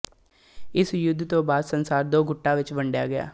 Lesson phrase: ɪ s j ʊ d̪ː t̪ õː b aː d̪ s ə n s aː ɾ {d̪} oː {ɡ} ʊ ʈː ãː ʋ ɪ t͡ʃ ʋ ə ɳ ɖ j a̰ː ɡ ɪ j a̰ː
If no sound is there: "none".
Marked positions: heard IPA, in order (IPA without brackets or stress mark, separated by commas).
d̪, ɡ